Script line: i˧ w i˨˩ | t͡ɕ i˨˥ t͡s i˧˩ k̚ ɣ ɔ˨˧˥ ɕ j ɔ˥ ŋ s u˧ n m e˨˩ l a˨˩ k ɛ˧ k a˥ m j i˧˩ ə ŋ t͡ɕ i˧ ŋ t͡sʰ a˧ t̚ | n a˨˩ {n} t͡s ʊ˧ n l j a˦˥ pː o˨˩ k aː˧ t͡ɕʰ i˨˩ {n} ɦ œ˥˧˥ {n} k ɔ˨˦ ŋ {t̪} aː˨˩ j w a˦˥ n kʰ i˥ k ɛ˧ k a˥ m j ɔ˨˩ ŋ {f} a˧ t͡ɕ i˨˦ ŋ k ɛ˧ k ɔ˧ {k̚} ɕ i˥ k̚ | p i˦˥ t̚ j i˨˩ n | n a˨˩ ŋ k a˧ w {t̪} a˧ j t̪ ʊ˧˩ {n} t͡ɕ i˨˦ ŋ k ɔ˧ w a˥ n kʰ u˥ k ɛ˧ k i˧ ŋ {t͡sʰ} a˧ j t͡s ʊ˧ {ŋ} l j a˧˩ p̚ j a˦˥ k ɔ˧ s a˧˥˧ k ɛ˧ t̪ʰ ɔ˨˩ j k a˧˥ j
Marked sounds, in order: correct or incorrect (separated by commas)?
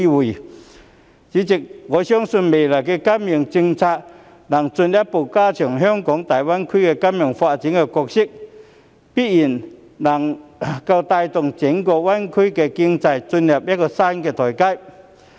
incorrect, incorrect, incorrect, correct, correct, correct, correct, incorrect, incorrect, incorrect